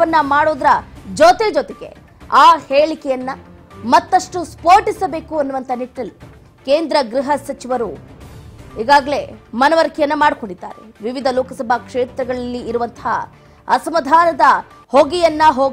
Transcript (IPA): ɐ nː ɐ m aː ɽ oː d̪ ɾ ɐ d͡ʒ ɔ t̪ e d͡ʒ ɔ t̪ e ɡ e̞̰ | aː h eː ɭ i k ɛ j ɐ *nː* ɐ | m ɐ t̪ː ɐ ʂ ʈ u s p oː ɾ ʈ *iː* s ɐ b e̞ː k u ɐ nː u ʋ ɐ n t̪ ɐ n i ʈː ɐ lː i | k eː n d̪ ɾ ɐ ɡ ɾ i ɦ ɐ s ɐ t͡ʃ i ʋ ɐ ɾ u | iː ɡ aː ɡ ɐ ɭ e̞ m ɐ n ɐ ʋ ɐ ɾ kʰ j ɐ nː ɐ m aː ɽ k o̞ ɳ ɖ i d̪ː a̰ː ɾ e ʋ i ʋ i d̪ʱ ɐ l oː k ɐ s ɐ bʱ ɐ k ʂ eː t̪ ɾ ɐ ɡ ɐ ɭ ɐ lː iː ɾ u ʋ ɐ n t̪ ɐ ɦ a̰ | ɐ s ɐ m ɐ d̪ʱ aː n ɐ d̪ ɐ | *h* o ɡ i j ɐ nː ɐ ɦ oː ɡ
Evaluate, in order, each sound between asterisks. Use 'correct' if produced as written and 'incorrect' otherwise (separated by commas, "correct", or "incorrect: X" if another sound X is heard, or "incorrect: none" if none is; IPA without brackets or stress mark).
correct, incorrect: i, correct